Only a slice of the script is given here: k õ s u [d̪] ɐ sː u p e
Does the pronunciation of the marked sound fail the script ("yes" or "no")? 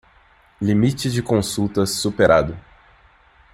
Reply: yes